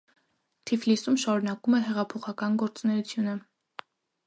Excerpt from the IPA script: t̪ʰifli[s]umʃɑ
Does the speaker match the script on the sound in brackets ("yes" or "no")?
yes